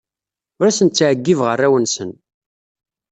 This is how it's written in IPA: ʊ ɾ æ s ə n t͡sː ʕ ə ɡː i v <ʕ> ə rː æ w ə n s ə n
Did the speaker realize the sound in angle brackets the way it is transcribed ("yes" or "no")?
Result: no